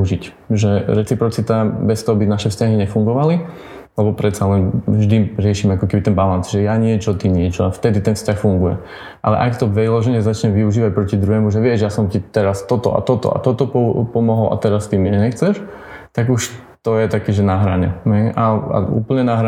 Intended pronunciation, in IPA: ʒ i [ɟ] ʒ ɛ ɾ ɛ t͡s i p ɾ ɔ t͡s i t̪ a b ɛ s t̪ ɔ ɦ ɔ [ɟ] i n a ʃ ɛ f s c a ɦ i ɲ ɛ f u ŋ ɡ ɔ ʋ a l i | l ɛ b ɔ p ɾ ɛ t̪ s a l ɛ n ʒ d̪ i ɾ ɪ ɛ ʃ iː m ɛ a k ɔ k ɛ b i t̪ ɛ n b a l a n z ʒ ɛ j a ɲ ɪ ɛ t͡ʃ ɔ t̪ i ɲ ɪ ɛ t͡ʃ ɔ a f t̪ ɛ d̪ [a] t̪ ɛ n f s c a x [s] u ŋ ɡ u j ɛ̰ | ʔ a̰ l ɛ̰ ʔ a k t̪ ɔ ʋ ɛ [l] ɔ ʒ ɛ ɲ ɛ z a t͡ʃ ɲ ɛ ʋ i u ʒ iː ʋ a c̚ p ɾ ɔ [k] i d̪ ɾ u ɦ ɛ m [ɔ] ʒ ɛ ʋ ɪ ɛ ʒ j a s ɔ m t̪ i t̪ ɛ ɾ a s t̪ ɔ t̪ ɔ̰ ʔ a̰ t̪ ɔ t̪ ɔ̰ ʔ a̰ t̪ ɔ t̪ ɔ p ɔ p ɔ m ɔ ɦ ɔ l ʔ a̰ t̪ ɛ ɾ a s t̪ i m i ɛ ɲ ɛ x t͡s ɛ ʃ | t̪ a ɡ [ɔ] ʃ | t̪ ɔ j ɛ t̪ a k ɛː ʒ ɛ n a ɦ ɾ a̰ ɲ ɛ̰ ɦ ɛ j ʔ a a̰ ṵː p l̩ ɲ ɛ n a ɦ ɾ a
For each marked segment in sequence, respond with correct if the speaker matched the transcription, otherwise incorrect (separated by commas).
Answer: incorrect, incorrect, incorrect, incorrect, correct, incorrect, incorrect, incorrect